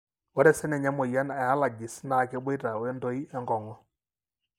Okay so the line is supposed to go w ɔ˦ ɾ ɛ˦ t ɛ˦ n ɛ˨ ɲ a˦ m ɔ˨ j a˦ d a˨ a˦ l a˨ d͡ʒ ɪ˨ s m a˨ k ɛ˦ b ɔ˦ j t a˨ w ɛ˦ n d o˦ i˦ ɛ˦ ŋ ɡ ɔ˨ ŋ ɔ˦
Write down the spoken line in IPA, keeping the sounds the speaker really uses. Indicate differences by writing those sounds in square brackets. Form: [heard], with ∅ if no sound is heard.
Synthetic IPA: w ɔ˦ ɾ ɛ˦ [s] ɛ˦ n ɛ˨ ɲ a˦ m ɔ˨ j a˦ [n] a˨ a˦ l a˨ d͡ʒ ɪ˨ s [n] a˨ k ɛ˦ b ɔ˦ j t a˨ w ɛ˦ n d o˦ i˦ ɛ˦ ŋ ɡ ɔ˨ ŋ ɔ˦